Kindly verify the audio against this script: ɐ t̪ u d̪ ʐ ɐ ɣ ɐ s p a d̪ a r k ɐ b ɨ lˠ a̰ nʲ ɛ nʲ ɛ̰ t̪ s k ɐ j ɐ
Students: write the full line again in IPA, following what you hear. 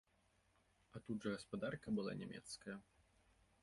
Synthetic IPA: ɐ t̪ u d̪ ʐ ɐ ɣ ɐ s p a d̪ a r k ɐ b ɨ lˠ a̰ nʲ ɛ mʲ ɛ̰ t̪ s k ɐ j ɐ